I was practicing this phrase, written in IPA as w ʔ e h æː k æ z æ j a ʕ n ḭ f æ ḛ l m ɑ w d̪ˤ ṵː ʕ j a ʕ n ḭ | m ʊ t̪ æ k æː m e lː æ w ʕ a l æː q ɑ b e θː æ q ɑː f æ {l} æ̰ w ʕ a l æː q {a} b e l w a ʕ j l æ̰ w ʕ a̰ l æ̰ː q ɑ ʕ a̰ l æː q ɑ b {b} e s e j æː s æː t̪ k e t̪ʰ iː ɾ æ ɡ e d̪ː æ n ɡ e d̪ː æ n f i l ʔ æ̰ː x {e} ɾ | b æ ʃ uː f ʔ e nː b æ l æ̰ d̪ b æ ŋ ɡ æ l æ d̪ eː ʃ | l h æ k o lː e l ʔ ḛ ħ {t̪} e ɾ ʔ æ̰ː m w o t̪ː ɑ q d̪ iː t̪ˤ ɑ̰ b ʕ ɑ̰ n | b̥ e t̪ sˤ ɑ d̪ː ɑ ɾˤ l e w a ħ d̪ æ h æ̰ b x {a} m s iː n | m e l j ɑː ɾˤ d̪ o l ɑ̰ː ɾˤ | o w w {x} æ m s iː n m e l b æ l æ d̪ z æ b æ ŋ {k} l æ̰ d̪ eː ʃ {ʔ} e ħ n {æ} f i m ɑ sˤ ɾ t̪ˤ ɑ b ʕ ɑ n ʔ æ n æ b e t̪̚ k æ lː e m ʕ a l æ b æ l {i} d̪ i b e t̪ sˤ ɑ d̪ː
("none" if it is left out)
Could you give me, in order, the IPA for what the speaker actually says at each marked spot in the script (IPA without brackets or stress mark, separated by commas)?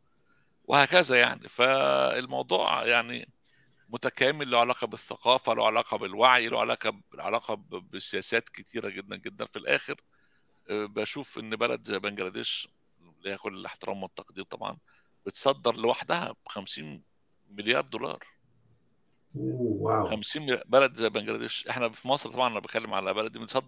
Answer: l, ɑ, b, e, t̪, æ, x, ɡ, ʔ, æ, æ